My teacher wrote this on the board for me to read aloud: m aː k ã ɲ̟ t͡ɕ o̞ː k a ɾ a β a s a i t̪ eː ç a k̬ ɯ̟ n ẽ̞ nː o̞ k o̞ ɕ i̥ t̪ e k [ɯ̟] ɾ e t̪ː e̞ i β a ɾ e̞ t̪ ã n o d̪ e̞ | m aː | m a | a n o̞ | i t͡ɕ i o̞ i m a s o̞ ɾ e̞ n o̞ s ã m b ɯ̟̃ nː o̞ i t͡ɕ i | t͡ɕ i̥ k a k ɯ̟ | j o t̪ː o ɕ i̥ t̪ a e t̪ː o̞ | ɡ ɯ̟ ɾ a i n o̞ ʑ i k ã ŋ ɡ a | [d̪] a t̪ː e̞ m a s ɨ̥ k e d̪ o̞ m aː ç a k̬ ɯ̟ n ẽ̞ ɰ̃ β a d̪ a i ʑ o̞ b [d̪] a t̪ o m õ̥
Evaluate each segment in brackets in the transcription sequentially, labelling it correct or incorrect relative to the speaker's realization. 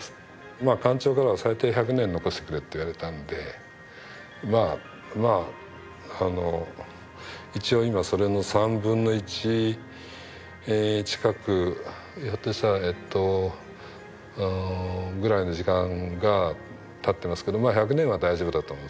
correct, incorrect: t̪, correct

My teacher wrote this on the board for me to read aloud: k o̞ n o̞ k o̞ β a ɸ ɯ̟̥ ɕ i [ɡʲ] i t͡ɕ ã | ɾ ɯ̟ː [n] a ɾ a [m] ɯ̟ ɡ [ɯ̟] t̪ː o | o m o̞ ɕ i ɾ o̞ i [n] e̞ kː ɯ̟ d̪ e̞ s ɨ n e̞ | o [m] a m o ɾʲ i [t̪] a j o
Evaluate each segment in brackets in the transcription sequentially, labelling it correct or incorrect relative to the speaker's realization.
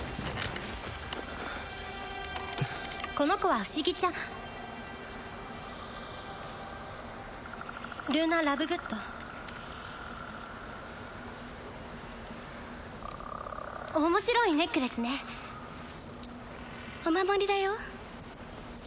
correct, correct, incorrect: b, correct, correct, correct, incorrect: d̪

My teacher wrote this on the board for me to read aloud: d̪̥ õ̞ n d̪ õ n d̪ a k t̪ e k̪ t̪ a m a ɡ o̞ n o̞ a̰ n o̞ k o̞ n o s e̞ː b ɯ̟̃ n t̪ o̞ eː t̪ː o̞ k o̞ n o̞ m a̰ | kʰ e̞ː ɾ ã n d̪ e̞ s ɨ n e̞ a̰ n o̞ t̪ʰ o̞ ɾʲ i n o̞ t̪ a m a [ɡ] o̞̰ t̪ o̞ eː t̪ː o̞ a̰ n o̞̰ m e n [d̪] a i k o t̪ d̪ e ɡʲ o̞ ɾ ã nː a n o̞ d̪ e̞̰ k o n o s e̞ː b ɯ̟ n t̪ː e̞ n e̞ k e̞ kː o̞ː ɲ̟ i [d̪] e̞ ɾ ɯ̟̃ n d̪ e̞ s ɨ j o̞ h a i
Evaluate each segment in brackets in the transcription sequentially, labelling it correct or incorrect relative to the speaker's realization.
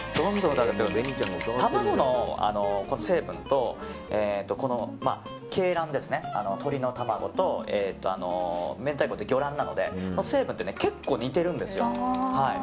correct, incorrect: t̪, incorrect: t̪

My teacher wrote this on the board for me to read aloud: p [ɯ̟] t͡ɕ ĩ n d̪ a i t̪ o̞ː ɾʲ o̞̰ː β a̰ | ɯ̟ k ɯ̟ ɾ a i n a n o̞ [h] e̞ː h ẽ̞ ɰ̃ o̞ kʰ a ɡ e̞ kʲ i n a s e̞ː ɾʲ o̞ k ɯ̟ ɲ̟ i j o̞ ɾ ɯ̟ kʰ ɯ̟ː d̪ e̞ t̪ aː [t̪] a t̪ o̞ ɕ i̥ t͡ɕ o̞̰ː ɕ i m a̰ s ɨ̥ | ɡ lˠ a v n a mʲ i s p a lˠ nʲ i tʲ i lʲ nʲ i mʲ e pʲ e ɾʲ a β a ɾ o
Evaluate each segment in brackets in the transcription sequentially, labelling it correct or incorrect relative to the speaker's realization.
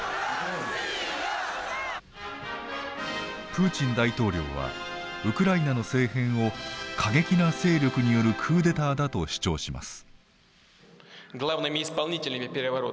incorrect: ɯ̟ː, incorrect: s, incorrect: d̪

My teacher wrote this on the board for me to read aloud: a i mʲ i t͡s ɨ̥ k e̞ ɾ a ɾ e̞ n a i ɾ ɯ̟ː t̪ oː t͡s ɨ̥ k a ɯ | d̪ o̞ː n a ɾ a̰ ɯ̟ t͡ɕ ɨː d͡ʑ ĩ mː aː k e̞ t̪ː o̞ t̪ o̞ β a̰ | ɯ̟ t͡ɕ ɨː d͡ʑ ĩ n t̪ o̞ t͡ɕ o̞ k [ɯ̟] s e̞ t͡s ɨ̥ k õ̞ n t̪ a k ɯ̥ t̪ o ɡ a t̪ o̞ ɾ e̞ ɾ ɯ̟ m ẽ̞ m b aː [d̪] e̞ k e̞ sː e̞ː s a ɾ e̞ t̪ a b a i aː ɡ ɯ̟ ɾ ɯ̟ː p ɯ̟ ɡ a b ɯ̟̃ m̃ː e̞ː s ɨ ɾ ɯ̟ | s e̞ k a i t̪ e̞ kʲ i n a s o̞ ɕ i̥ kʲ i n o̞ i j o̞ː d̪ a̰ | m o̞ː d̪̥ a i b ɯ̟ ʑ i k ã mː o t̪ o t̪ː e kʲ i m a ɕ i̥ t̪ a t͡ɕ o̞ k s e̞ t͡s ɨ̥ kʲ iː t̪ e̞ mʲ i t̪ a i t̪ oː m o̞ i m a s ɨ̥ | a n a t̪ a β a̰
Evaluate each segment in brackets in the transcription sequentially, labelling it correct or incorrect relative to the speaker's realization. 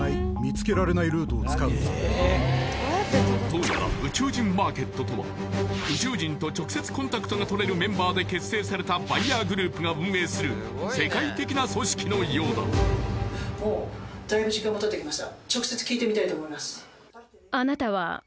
correct, correct

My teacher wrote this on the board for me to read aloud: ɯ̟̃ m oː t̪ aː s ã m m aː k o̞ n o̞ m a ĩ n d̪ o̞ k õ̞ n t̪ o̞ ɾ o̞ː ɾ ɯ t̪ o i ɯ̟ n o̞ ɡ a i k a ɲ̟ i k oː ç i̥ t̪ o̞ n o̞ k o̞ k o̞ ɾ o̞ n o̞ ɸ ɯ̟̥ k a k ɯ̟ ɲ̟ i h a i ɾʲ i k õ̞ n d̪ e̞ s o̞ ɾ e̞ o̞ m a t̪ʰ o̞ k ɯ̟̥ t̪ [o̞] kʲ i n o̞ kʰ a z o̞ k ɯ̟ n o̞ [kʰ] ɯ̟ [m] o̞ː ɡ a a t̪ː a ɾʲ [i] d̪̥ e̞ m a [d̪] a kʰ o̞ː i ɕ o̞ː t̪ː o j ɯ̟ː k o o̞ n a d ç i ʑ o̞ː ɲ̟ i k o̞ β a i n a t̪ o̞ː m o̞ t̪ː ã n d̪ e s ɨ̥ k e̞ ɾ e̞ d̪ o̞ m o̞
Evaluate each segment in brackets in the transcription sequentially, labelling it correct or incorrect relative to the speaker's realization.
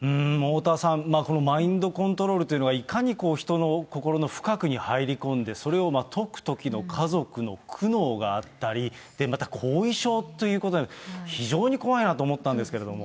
correct, correct, incorrect: n, correct, incorrect: t̪

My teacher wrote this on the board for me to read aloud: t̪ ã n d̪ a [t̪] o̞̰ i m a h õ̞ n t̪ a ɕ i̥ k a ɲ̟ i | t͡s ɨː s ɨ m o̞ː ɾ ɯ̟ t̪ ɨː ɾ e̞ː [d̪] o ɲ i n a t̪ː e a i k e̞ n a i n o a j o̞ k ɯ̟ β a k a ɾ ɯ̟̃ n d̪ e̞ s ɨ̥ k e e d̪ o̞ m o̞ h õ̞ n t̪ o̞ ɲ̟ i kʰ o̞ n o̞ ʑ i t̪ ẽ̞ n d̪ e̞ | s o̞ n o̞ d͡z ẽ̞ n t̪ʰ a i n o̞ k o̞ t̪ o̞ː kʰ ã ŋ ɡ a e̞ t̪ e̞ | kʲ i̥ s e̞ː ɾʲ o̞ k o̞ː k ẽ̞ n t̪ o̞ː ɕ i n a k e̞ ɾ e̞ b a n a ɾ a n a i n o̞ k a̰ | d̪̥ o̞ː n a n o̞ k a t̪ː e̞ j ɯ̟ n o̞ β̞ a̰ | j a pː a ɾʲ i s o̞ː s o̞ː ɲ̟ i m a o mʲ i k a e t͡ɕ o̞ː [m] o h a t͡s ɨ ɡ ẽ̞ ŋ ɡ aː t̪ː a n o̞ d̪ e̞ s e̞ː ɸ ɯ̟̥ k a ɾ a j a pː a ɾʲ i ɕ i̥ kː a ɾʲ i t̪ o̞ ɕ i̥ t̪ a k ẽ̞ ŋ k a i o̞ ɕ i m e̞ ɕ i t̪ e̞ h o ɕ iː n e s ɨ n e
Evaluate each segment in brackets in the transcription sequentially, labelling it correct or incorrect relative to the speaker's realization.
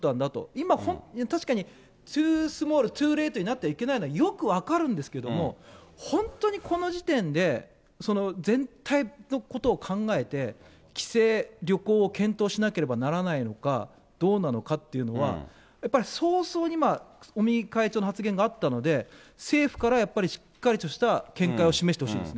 correct, incorrect: t̪, incorrect: n

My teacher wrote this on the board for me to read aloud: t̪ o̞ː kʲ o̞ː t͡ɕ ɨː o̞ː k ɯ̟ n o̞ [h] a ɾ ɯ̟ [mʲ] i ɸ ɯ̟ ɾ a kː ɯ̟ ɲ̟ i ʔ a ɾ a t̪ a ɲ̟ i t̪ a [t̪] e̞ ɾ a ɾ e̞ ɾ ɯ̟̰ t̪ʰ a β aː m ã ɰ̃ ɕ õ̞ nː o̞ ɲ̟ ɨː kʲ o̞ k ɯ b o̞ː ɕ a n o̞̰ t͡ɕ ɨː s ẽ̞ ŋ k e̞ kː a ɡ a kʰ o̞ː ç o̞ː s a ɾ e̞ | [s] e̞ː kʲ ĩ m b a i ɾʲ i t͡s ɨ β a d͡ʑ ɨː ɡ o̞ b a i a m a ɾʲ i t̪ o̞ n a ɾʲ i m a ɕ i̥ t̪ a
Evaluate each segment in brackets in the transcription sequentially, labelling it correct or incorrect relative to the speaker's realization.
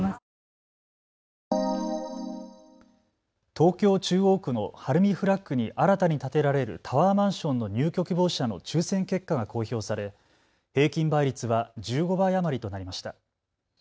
correct, correct, correct, incorrect: h

